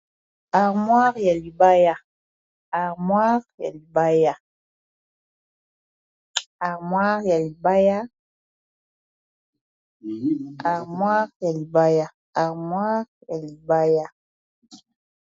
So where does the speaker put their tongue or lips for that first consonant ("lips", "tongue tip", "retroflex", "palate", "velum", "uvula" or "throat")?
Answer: uvula